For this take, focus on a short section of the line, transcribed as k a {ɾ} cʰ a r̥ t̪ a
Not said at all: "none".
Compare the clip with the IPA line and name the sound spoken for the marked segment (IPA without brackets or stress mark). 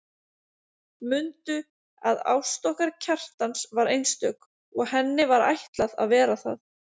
ɾ